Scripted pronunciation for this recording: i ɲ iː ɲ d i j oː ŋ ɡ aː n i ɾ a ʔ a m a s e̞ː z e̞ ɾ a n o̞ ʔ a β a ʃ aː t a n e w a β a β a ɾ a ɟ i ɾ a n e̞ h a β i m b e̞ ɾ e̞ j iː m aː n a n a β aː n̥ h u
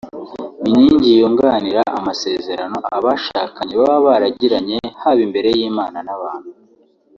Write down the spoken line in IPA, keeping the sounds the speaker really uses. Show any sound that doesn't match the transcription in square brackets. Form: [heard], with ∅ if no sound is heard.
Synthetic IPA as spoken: i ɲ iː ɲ [ɟ] i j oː ŋ ɡ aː n i ɾ a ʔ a m a s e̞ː z e̞ ɾ a n o̞ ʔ a β a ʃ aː [k] a [ɲ] e [β] a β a β a ɾ a ɟ i ɾ a [ɲ] e̞ h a β i m b e̞ ɾ e̞ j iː m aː n a n a β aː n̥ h u